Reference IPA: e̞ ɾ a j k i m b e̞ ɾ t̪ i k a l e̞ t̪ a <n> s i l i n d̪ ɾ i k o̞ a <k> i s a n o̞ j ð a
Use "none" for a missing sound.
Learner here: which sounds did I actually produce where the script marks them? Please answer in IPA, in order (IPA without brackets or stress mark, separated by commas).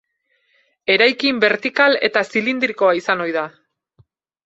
none, none